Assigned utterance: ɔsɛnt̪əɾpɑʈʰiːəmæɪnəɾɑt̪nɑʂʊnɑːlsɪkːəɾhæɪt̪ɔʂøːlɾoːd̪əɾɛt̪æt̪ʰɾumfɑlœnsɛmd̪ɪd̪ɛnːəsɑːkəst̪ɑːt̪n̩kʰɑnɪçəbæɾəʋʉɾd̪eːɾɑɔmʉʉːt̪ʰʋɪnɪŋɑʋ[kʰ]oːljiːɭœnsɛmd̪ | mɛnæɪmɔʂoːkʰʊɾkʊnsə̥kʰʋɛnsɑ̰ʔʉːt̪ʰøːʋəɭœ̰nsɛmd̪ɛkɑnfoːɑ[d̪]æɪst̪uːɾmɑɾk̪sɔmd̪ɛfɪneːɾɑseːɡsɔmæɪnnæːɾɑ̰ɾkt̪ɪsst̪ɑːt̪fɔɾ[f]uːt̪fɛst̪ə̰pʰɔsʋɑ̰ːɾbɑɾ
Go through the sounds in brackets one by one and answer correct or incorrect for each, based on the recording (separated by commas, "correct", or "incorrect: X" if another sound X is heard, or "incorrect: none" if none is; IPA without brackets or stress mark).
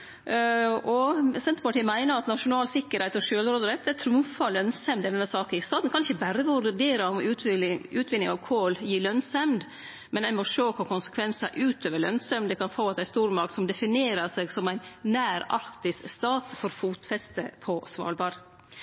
correct, incorrect: t̪, correct